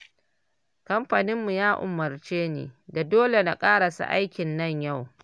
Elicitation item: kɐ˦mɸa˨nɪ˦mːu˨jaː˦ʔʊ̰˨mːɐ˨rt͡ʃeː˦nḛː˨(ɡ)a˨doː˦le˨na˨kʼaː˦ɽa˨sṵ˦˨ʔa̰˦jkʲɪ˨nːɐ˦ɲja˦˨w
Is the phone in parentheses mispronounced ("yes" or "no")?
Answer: yes